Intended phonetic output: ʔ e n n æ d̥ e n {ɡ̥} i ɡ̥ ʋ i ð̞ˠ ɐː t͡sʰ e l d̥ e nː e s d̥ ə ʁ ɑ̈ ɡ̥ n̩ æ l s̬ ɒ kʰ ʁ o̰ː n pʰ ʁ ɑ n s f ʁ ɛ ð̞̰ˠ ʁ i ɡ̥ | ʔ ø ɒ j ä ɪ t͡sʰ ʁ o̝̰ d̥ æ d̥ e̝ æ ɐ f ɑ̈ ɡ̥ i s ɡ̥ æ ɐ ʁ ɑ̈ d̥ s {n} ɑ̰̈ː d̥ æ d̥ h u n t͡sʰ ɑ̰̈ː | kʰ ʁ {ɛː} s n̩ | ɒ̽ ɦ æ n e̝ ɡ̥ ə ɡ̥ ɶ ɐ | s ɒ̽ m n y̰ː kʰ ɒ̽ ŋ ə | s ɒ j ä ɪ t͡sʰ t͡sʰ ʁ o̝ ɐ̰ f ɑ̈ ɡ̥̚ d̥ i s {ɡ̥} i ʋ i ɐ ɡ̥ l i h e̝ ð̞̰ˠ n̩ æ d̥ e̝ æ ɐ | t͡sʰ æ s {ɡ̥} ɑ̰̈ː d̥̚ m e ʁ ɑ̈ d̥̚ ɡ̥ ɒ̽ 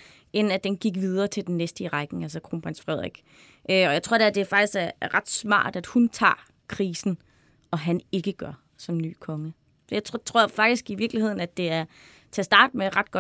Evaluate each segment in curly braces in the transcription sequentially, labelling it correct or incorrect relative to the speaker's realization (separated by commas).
correct, incorrect, incorrect, correct, incorrect